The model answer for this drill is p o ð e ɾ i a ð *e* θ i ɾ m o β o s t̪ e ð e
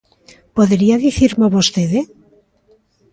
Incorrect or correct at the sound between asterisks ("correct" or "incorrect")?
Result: incorrect